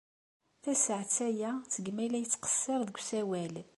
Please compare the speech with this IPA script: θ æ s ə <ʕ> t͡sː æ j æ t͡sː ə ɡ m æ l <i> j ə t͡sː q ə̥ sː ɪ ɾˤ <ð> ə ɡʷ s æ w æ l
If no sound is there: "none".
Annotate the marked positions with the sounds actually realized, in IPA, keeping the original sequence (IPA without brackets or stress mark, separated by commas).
ʕ, æ, ð